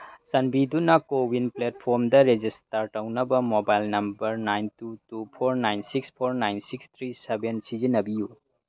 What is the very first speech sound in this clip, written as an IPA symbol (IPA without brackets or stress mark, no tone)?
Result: s